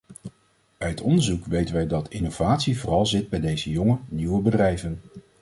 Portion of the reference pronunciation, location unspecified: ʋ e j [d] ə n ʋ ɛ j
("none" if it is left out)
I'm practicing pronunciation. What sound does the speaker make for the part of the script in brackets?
t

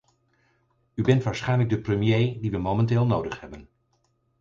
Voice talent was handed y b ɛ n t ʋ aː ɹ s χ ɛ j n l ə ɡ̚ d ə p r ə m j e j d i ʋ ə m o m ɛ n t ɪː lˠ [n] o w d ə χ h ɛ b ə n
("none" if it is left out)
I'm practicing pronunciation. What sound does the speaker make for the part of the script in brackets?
n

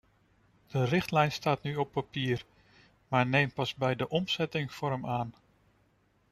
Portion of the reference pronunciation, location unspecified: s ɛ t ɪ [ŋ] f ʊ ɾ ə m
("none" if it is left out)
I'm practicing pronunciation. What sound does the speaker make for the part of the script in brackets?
ŋ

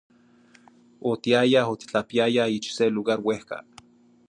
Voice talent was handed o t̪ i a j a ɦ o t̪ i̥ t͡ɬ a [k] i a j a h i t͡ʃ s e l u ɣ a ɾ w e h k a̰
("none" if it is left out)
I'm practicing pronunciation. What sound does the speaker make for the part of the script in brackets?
p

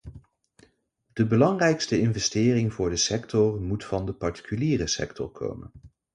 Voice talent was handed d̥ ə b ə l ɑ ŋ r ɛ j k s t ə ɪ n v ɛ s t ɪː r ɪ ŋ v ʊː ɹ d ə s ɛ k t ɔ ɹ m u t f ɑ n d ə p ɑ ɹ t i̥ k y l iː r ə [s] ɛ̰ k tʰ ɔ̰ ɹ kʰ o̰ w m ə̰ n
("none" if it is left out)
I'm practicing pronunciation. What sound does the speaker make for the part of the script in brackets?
s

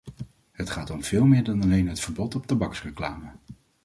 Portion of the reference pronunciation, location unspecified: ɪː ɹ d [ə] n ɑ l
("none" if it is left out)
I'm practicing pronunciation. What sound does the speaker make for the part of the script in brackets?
ɑ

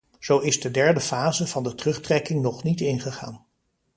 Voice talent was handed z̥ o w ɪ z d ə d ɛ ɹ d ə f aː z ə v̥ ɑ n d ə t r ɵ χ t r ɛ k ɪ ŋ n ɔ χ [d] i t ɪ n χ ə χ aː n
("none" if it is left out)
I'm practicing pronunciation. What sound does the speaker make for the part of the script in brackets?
n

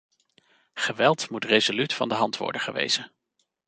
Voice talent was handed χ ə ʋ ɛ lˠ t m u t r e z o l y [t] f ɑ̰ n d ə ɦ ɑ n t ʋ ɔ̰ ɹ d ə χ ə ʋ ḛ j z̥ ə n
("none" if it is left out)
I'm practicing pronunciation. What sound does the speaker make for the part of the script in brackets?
t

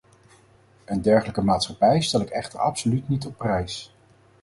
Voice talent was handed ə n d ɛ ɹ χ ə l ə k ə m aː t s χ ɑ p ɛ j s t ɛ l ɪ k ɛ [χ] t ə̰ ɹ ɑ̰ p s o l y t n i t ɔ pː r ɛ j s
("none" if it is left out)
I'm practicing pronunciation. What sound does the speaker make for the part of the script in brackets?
χ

